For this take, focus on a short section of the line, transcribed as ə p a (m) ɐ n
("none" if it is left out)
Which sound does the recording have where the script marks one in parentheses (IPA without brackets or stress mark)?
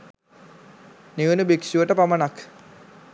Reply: m